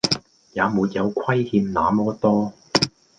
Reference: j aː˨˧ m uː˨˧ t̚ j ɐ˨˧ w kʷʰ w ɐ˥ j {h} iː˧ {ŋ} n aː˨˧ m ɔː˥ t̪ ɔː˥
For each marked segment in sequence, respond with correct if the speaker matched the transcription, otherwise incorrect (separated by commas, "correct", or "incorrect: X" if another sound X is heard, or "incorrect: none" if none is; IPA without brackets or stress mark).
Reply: correct, incorrect: m